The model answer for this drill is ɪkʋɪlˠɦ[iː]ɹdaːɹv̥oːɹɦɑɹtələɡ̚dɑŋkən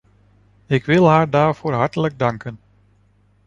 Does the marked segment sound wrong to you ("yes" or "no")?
yes